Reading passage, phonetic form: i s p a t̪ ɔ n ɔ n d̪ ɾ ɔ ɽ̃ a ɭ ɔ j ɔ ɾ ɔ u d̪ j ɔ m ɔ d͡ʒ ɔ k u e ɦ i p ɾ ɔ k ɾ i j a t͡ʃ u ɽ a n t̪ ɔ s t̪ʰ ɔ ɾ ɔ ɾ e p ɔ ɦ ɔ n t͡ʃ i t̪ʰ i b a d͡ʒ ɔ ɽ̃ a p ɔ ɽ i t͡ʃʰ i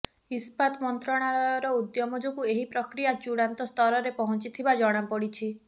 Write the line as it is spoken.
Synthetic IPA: i s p a t̪ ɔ m ɔ n t̪ ɾ ɔ ɽ̃ a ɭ ɔ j ɔ ɾ ɔ u d̪ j ɔ m ɔ d͡ʒ ɔ k u e ɦ i p ɾ ɔ k ɾ i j a t͡ʃ u ɽ a n t̪ ɔ s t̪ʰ ɔ ɾ ɔ ɾ e p ɔ ɦ ɔ n t͡ʃ i t̪ʰ i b a d͡ʒ ɔ ɽ̃ a p ɔ ɽ i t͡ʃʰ i